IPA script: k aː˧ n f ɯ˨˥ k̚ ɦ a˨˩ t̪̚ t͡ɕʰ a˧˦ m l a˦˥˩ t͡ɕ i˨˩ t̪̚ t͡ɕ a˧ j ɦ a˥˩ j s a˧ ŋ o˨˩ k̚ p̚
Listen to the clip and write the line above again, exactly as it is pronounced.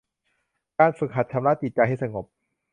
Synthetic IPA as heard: k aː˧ n f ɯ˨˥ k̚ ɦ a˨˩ t̪̚ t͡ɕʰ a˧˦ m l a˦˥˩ t͡ɕ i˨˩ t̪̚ t͡ɕ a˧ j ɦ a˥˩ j s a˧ ŋ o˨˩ p̚